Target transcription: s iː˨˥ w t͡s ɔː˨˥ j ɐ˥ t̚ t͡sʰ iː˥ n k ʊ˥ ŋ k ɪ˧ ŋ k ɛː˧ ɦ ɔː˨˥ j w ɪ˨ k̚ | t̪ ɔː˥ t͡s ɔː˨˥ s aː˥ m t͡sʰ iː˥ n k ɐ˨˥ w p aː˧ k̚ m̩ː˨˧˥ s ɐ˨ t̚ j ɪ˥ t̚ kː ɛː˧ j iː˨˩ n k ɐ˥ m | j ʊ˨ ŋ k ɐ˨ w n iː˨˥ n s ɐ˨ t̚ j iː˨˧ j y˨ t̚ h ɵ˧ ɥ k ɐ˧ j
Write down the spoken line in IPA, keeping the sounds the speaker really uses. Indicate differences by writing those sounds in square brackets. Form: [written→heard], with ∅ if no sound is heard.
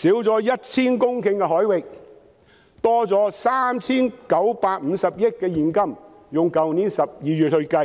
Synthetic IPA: s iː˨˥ w t͡s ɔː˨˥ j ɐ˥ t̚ t͡sʰ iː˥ n k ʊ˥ ŋ k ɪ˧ ŋ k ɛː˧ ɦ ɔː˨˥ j w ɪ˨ k̚ | t̪ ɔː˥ t͡s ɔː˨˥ s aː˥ m t͡sʰ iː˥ n k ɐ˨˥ w p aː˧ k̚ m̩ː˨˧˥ s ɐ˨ [t̚→p̚] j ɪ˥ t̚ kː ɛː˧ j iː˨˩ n k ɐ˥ m | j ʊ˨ ŋ k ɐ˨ w n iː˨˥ n s ɐ˨ [t̚→p̚] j iː˨˧ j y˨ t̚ h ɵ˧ ɥ k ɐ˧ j